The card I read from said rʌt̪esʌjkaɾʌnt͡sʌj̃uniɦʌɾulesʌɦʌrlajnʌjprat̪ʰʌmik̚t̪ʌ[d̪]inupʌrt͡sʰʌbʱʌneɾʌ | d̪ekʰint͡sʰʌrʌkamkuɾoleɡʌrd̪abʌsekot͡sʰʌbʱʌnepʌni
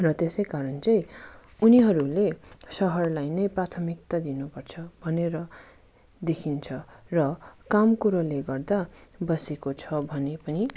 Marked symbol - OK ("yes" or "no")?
yes